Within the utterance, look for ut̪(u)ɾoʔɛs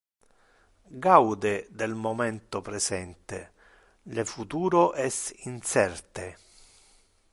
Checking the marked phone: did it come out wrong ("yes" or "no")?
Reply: yes